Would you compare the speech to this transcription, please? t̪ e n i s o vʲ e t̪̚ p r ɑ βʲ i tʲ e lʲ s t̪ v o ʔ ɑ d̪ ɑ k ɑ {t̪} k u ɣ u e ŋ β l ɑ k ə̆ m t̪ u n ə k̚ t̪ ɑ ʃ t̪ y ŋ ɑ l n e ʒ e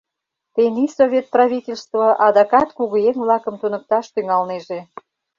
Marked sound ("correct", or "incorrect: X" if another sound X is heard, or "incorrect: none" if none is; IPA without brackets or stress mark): correct